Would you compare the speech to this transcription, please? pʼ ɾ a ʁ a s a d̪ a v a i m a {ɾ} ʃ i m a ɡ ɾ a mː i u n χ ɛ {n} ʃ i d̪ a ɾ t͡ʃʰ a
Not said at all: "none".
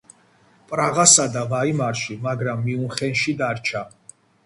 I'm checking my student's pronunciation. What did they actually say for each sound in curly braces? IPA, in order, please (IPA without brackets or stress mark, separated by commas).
ɾ, n